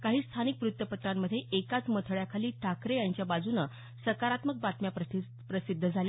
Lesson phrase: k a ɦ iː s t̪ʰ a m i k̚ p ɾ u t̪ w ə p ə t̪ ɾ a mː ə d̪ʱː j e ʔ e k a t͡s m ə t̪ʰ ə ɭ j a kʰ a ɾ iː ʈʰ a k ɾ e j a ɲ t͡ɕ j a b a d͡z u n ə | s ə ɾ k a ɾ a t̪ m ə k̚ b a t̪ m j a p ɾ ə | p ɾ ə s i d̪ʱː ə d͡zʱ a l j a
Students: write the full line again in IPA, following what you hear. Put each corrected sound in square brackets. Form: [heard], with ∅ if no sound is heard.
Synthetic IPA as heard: k a ɦ iː s t̪ʰ a [n] i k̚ p ɾ u t̪ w ə p ə t̪ ɾ a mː ə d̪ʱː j e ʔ e k a t͡s m ə t̪ʰ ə ɭ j a kʰ a [l] iː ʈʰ a k ɾ e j a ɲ t͡ɕ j a b a d͡z u n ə | s ə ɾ k a ɾ a t̪ m ə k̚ b a t̪ m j a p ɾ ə | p ɾ ə s i d̪ʱː ə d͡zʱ a l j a